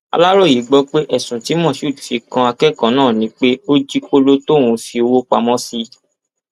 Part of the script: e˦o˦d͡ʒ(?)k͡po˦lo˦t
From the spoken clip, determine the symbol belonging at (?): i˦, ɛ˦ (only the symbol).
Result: i˦